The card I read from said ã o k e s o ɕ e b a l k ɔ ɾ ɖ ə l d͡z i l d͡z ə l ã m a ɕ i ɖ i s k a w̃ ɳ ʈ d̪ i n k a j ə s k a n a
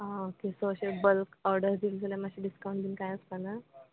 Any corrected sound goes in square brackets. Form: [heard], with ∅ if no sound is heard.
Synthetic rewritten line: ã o k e s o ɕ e b [ə] l k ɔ ɾ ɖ ə [ɾ] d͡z i l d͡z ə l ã m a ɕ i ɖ i s k a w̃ ɳ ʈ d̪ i n k a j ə s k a n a

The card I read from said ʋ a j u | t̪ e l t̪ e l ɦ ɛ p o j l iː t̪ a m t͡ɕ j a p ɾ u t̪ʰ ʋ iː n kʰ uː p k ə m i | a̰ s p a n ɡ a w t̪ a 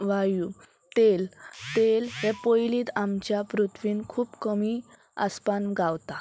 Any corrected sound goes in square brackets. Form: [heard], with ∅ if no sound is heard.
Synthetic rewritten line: ʋ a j u | t̪ e l t̪ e l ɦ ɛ p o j l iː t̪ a m t͡ɕ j a p ɾ u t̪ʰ ʋ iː n kʰ uː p k ə m i | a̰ s p a n ɡ a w t̪ a

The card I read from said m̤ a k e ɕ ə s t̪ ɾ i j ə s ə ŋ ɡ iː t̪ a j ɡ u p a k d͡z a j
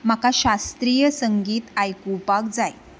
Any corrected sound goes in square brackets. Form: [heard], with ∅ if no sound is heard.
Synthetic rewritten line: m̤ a k [a] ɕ [a] s t̪ ɾ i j ə s ə ŋ ɡ iː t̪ a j [k] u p a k d͡z a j

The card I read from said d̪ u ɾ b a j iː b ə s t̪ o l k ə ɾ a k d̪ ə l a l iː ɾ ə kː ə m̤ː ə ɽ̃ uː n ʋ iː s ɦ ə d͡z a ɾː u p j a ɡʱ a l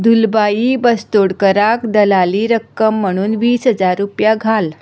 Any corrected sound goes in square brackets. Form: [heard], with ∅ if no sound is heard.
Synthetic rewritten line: d̪ u [l] b a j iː b ə s t̪ o [ɽ] k ə ɾ a k d̪ ə l a l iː ɾ ə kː ə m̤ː ə ɽ̃ uː n ʋ iː s ɦ ə d͡z a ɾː u p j a ɡʱ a l

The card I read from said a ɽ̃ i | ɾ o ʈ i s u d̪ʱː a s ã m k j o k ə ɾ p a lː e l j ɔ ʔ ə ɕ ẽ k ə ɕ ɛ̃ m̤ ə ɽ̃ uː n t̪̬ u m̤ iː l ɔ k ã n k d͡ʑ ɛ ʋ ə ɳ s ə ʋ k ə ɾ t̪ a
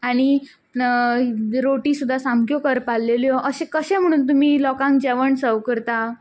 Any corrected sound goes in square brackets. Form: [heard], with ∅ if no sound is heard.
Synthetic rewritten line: a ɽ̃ i | ɾ o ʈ i s u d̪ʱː a s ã m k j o k ə ɾ p a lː e l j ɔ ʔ ə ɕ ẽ k ə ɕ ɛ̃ m̤ ə ɽ̃ uː n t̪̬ u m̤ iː l ɔ k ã [ŋ] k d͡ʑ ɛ ʋ ə ɳ s ə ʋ k ə ɾ t̪ a

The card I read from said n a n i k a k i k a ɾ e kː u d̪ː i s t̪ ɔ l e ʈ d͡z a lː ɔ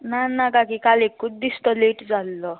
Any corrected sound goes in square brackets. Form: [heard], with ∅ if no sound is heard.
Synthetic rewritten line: n a n [a] k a k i k a [l] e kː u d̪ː i s t̪ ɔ l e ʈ d͡z a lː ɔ

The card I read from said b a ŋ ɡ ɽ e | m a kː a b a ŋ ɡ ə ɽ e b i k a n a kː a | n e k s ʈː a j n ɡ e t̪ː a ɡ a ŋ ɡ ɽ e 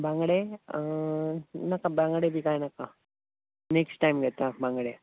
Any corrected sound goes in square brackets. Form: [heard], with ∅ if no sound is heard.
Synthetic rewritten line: b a ŋ ɡ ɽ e | [n] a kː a b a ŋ ɡ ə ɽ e b i k a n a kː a | n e k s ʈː a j [m] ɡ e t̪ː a [b] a ŋ ɡ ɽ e

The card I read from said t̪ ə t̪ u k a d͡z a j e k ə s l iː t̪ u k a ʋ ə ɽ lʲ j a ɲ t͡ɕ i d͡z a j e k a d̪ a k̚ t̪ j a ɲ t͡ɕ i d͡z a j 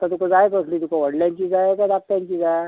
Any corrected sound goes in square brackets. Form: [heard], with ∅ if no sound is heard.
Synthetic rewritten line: t̪ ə t̪ u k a d͡z a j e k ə s l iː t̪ u k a ʋ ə ɽ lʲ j a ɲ t͡ɕ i d͡z a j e k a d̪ a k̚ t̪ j a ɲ t͡ɕ i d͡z a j

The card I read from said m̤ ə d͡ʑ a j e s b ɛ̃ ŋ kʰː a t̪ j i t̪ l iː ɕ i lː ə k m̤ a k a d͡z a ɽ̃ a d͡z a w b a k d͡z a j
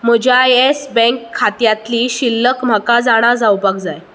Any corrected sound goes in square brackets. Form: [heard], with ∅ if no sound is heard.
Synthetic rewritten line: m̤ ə d͡ʑ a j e s b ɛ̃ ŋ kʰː a t̪ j [a] t̪ l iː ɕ i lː ə k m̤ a k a d͡z a ɽ̃ a d͡z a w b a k d͡z a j

